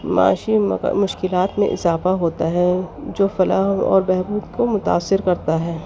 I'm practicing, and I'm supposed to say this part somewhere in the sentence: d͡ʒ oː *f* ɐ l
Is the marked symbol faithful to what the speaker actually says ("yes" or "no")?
yes